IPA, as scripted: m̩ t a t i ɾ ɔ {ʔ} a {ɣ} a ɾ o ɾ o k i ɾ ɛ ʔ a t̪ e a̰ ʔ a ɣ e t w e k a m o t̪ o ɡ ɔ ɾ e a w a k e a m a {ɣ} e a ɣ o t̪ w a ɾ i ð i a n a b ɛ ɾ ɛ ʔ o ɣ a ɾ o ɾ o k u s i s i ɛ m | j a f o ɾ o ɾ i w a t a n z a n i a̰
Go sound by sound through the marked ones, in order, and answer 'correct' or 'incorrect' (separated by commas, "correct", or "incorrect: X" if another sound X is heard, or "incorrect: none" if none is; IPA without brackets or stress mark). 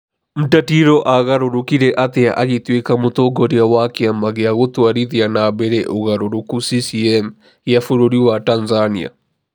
correct, correct, correct